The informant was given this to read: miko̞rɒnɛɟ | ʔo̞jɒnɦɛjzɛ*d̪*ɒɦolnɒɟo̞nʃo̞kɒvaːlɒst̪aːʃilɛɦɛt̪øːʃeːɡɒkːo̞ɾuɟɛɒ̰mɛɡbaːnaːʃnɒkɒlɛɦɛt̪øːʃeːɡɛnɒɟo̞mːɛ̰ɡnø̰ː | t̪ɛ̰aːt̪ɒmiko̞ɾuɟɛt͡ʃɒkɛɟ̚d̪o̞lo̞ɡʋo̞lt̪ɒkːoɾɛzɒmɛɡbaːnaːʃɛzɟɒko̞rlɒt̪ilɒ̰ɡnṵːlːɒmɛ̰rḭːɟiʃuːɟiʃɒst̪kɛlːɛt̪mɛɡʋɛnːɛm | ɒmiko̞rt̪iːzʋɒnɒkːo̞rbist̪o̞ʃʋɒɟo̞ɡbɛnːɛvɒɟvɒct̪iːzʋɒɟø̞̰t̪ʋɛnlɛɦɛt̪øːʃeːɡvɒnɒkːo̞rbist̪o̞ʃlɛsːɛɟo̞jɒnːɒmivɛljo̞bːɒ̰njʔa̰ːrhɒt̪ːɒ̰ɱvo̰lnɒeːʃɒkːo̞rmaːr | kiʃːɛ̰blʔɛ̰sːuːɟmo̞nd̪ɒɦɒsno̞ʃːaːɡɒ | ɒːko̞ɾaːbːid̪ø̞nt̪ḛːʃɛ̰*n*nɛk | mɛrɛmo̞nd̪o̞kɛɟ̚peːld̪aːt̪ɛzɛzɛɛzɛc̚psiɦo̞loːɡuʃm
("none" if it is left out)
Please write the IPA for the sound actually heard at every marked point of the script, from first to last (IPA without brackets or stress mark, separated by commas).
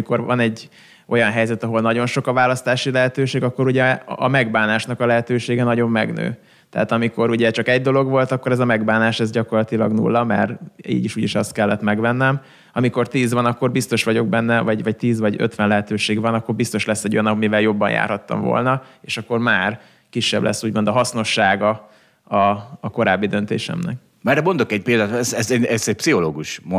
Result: t̪, m